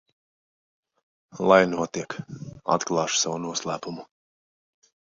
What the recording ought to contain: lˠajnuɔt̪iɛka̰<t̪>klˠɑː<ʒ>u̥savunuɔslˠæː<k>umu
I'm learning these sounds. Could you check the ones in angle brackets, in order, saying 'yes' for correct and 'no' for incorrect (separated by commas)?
yes, no, no